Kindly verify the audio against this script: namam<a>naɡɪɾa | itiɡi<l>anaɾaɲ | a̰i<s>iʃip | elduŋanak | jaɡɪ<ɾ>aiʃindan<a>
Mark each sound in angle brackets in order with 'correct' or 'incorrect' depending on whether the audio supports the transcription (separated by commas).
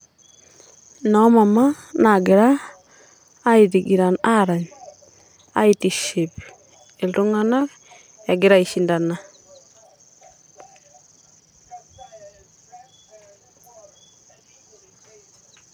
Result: correct, incorrect, incorrect, correct, correct